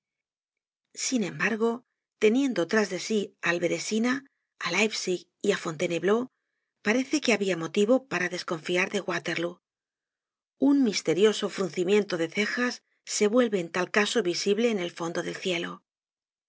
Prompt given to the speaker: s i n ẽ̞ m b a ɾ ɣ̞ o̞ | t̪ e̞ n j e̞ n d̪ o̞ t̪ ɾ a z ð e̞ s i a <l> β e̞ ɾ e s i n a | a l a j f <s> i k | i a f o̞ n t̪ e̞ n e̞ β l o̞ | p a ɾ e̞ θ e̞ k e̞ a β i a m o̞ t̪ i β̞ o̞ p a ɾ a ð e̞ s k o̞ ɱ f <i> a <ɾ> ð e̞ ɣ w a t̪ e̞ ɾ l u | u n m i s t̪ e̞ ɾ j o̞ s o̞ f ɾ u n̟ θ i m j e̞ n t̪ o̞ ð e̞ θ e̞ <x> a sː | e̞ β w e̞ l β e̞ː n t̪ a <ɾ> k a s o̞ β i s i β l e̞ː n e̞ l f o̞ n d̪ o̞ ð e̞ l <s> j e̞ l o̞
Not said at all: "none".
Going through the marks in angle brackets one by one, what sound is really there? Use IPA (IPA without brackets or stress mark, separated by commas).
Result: l, s, i, ɾ, x, l, θ